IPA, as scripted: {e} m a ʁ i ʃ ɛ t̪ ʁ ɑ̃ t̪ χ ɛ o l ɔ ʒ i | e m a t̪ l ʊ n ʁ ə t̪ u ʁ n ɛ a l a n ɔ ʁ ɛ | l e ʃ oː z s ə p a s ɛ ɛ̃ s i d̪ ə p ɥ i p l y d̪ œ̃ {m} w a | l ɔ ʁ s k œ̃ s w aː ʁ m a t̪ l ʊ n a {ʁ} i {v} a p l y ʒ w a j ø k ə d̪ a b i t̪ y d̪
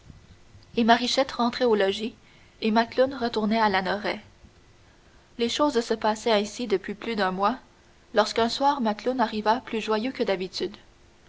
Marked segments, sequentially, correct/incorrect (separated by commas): correct, correct, correct, correct